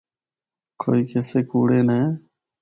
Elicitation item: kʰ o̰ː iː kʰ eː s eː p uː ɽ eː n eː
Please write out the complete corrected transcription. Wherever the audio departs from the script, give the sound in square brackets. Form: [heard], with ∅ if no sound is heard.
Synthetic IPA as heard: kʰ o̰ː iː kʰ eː s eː [k] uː ɽ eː n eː